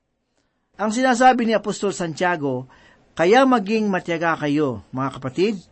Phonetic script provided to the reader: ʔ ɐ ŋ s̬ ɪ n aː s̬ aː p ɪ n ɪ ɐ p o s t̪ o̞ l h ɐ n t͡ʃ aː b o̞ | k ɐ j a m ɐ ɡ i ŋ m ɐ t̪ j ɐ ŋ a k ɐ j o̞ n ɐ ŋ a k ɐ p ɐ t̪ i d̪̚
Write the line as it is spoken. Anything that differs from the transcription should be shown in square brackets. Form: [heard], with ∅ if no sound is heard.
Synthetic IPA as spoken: ʔ ɐ ŋ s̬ ɪ n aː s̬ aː [b] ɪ n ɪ ɐ p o s t̪ o̞ l [s] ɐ n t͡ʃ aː [ɡ] o̞ | k ɐ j a m ɐ ɡ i ŋ m ɐ t̪ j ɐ [ɡ] a k ɐ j o̞ [m] ɐ ŋ a k ɐ p ɐ t̪ i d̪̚